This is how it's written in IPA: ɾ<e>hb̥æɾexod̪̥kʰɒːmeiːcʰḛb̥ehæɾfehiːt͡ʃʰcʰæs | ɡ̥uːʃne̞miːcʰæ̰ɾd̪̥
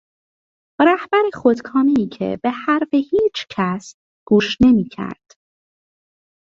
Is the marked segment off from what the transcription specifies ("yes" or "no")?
yes